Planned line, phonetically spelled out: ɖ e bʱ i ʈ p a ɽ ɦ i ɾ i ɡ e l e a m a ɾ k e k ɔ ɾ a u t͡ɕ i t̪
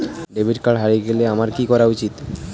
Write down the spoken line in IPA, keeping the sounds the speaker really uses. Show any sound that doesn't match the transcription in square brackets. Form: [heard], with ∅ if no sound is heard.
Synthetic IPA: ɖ e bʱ i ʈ [k] a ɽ ɦ [a] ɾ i ɡ e l e a m a ɾ k [i] k ɔ ɾ a u t͡ɕ i t̪